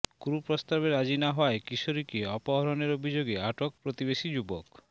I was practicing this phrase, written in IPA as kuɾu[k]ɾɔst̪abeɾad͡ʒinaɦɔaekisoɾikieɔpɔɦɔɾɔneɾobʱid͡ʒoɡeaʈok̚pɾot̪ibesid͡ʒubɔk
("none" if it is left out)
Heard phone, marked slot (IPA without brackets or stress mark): p